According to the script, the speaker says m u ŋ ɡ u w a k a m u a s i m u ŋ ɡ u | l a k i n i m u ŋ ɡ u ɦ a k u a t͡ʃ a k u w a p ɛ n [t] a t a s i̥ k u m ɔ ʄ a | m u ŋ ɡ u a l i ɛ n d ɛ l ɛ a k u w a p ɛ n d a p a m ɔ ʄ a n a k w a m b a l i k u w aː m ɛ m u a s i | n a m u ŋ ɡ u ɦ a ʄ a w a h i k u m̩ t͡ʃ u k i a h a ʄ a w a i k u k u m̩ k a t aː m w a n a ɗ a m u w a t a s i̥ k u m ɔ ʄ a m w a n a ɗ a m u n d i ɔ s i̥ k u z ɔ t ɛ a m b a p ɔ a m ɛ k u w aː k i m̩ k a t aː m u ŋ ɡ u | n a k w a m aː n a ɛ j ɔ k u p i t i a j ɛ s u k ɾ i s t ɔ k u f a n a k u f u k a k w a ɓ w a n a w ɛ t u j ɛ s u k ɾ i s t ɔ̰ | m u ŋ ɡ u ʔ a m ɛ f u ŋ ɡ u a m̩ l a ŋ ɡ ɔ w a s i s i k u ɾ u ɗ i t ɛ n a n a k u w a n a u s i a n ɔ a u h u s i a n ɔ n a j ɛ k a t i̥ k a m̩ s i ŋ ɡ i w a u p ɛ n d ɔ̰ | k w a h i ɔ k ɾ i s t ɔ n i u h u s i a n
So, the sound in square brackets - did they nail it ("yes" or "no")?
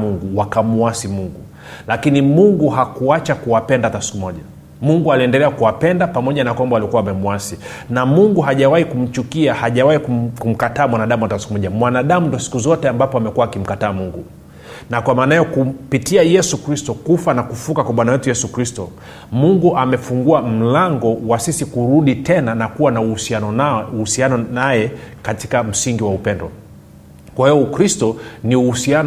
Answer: no